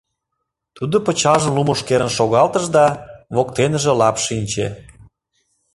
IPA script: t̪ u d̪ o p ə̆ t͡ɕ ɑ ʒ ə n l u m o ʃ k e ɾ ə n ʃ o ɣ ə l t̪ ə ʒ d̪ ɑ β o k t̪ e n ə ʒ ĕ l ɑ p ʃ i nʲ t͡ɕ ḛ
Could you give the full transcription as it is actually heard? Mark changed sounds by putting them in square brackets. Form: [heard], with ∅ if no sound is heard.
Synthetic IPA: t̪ u d̪ o p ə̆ t͡ɕ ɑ ʒ ə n l u m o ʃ k e ɾ ə n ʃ o ɣ [ɑ] l t̪ ə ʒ d̪ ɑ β o k t̪ e n ə ʒ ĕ l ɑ p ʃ i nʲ t͡ɕ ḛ